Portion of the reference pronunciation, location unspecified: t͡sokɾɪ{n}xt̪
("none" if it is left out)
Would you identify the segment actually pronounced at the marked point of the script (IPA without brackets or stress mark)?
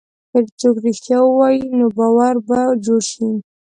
none